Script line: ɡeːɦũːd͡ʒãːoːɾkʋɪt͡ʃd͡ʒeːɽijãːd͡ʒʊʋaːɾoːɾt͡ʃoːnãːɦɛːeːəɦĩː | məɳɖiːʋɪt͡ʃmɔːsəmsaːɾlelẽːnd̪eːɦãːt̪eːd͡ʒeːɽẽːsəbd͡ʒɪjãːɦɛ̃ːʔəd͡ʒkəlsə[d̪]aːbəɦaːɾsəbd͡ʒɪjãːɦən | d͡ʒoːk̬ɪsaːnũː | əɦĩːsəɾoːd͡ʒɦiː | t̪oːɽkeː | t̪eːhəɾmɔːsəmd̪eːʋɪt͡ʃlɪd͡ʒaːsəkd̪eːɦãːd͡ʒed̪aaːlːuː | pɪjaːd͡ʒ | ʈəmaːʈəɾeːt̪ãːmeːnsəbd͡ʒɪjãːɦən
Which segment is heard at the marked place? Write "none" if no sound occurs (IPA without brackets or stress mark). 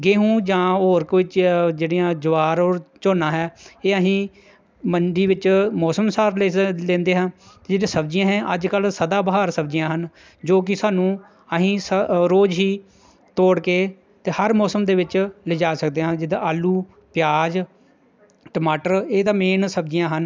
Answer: d̪